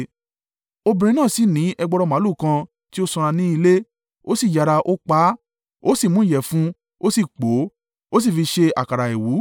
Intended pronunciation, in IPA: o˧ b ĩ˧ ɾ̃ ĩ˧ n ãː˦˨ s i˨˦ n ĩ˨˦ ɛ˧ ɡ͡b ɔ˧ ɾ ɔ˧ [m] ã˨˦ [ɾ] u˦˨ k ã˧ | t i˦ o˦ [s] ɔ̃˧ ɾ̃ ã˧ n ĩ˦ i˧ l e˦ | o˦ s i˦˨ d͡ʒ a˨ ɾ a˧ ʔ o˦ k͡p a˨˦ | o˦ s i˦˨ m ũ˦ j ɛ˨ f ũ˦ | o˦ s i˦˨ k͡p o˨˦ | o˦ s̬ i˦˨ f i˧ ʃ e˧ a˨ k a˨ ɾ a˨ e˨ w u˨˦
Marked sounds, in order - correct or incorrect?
correct, incorrect: l, correct

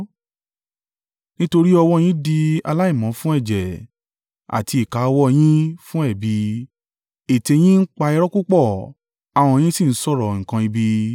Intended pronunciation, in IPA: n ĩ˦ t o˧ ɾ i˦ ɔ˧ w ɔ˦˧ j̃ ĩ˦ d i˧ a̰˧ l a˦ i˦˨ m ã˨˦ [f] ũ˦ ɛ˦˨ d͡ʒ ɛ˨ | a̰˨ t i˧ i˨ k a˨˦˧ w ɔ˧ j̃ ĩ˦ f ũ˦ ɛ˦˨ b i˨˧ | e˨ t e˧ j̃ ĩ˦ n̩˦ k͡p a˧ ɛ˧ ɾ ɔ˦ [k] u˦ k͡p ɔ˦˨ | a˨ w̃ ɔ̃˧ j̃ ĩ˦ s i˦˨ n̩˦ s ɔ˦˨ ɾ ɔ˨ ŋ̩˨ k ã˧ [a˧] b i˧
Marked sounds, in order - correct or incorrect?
correct, correct, incorrect: i˧

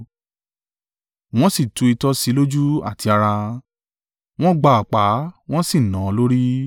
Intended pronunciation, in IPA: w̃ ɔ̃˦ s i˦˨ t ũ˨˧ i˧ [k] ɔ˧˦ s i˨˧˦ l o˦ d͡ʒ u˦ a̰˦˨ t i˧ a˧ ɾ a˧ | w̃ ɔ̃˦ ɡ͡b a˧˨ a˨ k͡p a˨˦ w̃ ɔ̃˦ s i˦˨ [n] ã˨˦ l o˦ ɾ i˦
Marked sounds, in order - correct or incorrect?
incorrect: t, correct

